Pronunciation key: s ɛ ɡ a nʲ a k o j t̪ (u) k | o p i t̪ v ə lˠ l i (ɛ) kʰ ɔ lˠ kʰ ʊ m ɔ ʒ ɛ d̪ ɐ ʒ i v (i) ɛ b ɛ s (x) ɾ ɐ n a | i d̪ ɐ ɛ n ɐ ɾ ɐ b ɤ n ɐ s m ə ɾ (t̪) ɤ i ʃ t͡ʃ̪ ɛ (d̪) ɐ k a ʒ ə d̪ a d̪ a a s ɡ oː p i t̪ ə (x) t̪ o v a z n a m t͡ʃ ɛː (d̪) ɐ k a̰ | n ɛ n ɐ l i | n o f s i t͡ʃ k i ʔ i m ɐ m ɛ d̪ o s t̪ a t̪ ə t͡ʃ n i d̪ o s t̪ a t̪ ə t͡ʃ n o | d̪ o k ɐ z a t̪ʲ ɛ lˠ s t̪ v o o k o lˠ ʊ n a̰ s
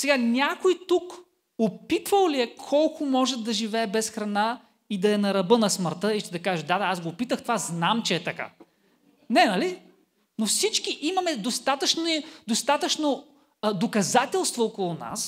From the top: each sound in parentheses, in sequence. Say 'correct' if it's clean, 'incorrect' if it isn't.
correct, correct, incorrect: ɛ, correct, correct, correct, correct, incorrect: t̪

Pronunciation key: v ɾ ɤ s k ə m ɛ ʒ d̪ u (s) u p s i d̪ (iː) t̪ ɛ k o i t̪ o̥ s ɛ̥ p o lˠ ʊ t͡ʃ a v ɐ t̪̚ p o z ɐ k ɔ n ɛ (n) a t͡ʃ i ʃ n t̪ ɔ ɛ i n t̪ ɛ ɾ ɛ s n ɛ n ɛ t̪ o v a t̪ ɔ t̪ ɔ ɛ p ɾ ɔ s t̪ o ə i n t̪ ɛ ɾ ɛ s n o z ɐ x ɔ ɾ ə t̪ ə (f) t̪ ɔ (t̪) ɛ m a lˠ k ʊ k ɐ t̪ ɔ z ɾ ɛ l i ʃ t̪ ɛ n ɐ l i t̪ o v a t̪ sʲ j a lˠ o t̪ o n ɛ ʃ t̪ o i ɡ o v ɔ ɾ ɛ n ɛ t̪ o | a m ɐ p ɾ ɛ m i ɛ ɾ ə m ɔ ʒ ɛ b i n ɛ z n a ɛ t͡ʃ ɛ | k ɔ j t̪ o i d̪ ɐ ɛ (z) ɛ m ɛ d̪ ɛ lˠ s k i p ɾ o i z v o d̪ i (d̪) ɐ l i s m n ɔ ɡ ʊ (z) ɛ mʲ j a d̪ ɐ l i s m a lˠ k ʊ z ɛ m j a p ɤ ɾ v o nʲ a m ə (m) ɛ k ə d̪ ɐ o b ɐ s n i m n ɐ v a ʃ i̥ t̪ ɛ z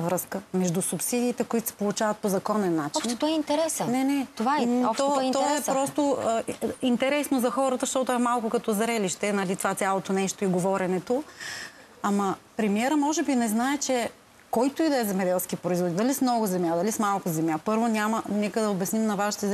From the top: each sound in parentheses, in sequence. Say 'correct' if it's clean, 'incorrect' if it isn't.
correct, correct, incorrect: nː, incorrect: ʃ, correct, correct, correct, correct, incorrect: n

